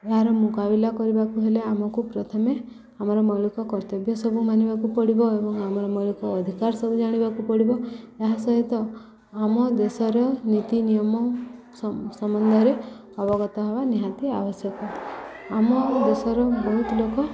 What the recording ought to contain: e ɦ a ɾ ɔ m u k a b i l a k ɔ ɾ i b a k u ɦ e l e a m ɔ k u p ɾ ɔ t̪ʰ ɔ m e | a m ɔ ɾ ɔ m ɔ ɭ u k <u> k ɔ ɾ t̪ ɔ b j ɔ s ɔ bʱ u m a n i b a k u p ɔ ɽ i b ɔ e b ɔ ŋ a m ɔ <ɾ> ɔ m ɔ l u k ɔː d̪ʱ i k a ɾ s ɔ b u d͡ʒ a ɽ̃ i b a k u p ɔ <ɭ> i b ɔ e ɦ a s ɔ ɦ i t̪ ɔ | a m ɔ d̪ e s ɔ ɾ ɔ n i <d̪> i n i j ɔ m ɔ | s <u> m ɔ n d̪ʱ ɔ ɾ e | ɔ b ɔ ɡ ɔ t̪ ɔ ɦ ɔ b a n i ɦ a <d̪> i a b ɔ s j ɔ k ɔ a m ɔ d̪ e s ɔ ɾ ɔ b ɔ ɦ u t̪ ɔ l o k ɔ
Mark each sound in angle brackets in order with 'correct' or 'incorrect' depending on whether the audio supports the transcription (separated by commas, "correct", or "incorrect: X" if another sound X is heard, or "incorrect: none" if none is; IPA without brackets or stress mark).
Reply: incorrect: ɔ, correct, incorrect: ɽ, incorrect: t̪, incorrect: ɔ, incorrect: t̪